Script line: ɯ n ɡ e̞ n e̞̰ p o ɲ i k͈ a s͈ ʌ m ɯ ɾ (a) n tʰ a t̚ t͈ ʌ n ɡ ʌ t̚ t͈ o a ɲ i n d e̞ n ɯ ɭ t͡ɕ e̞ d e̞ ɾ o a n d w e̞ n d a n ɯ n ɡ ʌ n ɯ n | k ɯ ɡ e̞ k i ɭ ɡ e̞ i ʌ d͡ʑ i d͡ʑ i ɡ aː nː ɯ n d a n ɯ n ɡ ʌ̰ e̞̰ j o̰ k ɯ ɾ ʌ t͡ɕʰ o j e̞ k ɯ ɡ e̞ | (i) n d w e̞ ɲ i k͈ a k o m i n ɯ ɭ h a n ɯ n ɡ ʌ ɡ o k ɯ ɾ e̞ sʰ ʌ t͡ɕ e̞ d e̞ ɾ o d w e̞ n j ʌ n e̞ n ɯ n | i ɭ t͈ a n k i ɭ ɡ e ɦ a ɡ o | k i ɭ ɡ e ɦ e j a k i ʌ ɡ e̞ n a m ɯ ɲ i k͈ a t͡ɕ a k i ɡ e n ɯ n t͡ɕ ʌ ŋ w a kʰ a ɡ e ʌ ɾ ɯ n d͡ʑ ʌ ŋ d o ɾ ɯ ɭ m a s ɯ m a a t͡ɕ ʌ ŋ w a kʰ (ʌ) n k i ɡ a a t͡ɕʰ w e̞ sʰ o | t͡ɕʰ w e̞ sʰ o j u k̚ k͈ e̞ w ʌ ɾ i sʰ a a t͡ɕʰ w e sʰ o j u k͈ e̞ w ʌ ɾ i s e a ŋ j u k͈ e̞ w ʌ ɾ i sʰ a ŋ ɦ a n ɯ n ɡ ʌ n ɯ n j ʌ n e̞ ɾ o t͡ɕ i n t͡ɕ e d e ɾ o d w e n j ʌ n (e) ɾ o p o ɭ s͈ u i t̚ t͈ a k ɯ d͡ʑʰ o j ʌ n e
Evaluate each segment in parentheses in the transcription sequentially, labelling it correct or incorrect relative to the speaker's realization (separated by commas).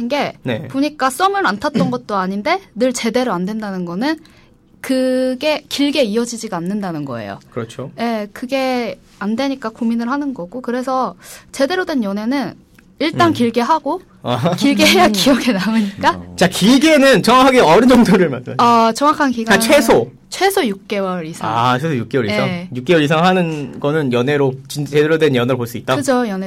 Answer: correct, incorrect, incorrect, correct